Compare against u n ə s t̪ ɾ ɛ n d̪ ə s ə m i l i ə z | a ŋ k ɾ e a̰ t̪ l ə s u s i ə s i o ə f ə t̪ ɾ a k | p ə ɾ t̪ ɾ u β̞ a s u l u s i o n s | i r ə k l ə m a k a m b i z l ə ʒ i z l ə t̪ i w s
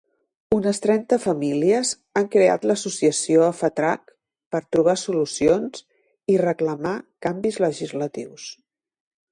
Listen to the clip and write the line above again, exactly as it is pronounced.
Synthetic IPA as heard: u n ə s t̪ ɾ ɛ n t̪ ə f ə m i l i ə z | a ŋ k ɾ e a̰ t̪ l ə s u s i ə s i o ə f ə t̪ ɾ a k | p ə ɾ t̪ ɾ u β̞ a s u l u s i o n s | i r ə k l ə m a k a m b i z l ə ʒ i z l ə t̪ i w s

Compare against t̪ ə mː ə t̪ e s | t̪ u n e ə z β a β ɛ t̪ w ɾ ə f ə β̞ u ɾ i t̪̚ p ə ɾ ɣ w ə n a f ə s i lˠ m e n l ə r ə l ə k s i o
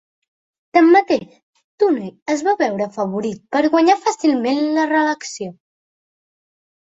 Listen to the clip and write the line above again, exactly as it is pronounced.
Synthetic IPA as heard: t̪ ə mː ə t̪ e ʃ | t̪ u n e ə z β a β ɛ w ɾ ə f ə β̞ u ɾ i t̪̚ p ə ɾ ɣ w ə ɲ a f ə s i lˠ m e n l ə r ə l ə k s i o

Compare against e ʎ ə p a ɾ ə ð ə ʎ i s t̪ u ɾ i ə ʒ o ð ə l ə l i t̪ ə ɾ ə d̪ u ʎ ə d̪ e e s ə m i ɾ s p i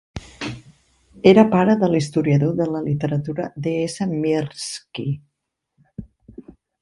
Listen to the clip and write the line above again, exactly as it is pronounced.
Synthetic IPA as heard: e ɾ ə p a ɾ ə ð ə l i s t̪ u ɾ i ə ð o ð ə l ə l i t̪ ə ɾ ə t̪ u ɾ ə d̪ e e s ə m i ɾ s k i

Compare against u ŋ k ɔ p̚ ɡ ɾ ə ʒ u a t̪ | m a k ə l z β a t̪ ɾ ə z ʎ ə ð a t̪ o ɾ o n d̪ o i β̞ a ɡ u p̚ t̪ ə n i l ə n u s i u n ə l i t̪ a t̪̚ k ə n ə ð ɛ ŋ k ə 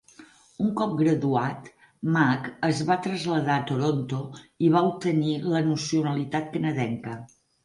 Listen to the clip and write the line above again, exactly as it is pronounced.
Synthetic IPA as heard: u ŋ k ɔ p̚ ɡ ɾ ə ð u a t̪ | m a k ə z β a t̪ ɾ ə z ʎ ə ð a t̪ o ɾ o n t̪ o i β̞ a u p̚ t̪ ə n i l ə n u s i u n ə l i t̪ a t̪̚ k ə n ə ð ɛ ŋ k ə

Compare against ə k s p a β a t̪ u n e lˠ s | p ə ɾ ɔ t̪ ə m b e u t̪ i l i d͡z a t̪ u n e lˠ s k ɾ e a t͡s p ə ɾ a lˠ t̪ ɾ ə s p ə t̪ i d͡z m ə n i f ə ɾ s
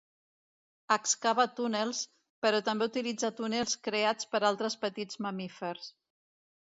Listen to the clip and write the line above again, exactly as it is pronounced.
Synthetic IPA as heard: ə k s k a β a t̪ u n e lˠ s | p ə ɾ ɔ t̪ ə m b e u t̪ i l i d͡z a t̪ u n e lˠ s k ɾ e a t͡s p ə ɾ a lˠ t̪ ɾ ə s p ə t̪ i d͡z m ə m i f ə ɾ s

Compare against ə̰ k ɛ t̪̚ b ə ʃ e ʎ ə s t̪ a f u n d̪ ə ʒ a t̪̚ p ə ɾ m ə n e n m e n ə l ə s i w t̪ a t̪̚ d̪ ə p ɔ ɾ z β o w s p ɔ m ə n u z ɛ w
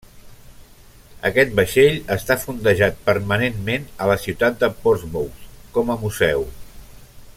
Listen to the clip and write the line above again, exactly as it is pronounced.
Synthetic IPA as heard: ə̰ k ɛ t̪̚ b ə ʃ e ʎ ə s t̪ a f u n d̪ ə ʒ a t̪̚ p ə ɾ m ə n e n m e n ə l ə s i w t̪ a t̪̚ d̪ ə p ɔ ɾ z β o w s k ɔ m ə m u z ɛ w

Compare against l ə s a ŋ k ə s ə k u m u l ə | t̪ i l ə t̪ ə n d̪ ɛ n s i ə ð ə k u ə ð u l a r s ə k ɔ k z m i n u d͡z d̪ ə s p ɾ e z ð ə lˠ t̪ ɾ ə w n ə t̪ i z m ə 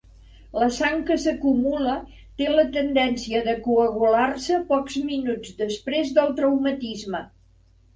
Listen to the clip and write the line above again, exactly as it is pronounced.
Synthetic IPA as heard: l ə s a ŋ k ə s ə k u m u l ə | t̪ e l ə t̪ ə n d̪ ɛ n s i ə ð ə k u ə ɣ u l a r s ə p ɔ k z m i n u d͡z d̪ ə s p ɾ e z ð ə lˠ t̪ ɾ ə w m ə t̪ i z m ə

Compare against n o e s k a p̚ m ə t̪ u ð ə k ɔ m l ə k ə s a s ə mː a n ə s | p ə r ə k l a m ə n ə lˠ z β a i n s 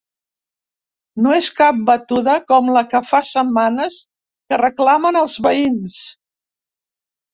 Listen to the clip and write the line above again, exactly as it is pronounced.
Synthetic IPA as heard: n o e s k a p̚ b ə t̪ u ð ə k ɔ m l ə k ə f a s ə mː a n ə s | k ə r ə k l a m ə n ə lˠ z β ə i n s

